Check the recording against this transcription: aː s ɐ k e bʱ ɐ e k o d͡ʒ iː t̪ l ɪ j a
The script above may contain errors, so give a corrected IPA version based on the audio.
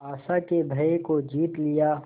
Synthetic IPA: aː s a k e bʱ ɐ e k o d͡ʒ iː t̪ l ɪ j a